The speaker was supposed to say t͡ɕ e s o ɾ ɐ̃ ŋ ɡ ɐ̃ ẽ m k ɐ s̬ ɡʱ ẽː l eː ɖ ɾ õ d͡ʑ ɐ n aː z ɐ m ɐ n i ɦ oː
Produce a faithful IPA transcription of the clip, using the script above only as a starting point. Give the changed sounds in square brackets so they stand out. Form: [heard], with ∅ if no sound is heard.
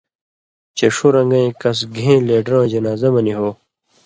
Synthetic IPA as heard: t͡ɕ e [ʂ] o ɾ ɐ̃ ŋ ɡ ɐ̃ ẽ [∅] k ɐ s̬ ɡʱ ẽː l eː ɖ ɾ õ d͡ʑ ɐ n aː z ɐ m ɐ n i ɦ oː

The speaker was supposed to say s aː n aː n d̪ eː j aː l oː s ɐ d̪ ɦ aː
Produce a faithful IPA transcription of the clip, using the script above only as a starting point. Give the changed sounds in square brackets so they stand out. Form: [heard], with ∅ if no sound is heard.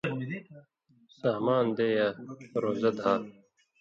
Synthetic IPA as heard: s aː [m] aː n d̪ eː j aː [ɾ] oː [z] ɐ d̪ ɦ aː

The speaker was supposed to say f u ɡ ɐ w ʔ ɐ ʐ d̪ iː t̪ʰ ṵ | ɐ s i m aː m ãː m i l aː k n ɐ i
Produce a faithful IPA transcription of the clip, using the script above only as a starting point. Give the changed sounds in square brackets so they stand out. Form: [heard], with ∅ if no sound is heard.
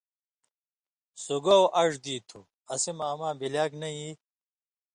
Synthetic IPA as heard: [s] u ɡ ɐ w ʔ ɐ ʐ d̪ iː t̪ʰ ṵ | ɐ s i m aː m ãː [b] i l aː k n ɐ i

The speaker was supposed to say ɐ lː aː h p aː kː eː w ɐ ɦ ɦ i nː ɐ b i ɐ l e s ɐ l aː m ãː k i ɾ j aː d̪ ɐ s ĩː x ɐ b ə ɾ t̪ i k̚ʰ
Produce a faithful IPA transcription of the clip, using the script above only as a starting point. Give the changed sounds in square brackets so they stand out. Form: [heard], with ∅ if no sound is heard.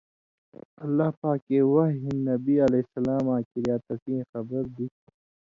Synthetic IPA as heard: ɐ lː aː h p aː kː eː w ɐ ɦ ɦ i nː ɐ b i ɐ l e s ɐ l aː m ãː k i ɾ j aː [t̪] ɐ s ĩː x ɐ b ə ɾ [d̪] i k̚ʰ

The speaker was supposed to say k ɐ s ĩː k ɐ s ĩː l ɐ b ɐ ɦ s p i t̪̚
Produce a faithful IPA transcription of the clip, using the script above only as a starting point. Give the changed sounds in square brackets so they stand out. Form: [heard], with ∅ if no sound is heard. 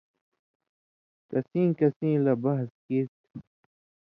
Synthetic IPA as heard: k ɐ s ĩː k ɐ s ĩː l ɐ b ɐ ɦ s [k] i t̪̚

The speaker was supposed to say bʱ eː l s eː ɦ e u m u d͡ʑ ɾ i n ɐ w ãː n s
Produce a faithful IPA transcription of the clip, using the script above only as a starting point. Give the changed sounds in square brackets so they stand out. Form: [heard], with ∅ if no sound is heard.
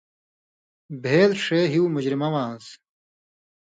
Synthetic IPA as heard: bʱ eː l [ʂ] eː ɦ [i] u m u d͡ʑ ɾ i [m] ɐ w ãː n s

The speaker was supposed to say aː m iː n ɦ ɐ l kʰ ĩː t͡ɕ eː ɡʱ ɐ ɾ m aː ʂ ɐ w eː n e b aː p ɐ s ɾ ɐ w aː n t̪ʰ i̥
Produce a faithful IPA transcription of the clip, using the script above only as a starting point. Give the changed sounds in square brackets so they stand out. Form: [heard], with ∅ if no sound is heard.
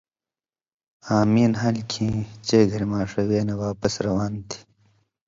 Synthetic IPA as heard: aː m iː n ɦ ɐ l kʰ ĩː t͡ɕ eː ɡʱ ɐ ɾ m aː ʂ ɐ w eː n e [w] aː p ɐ s ɾ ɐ w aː n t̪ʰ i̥

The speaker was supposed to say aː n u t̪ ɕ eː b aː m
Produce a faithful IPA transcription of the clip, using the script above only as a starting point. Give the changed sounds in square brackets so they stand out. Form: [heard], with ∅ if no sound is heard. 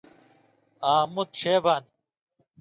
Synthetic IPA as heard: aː [m] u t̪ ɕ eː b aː [n]

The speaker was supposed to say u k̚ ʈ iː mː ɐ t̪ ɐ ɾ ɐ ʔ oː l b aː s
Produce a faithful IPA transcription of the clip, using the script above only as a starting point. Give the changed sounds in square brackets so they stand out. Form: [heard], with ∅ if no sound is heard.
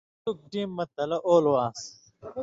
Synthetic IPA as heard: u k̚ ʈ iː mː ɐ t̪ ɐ [l] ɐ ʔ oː l [w] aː s

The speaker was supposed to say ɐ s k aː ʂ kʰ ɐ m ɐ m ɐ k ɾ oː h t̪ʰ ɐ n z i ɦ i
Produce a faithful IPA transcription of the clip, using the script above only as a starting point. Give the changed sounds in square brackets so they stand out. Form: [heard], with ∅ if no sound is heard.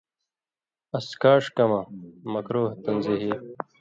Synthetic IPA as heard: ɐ s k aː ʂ [k] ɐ m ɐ m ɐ k ɾ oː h [t̪] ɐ n z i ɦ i

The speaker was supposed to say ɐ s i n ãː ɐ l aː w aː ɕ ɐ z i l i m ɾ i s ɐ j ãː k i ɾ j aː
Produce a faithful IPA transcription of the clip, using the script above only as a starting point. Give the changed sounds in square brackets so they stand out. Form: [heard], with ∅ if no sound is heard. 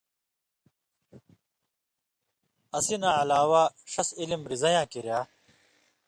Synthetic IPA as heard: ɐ s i n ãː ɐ l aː w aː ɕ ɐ [s] i l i m ɾ i [z] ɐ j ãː k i ɾ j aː

